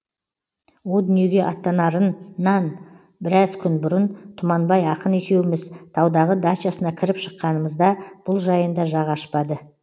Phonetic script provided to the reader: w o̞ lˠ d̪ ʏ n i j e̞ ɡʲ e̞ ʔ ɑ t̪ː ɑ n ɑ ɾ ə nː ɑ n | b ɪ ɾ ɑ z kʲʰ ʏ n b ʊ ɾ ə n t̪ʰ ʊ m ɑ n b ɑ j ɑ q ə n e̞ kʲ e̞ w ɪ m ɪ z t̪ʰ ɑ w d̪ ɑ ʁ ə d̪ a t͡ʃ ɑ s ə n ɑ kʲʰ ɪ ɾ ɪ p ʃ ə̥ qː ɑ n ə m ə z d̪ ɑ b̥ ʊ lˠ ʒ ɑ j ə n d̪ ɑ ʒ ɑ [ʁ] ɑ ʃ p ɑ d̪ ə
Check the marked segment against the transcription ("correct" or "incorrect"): correct